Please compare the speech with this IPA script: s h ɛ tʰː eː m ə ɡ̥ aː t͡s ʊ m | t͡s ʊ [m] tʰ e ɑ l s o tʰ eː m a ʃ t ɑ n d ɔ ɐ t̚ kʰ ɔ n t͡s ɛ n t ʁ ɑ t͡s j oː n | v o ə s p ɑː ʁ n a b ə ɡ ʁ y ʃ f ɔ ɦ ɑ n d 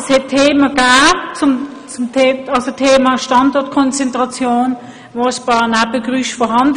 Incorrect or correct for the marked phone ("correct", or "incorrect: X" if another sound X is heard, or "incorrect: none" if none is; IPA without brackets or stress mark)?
correct